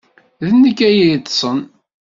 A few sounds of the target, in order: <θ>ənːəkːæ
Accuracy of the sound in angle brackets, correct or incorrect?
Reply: incorrect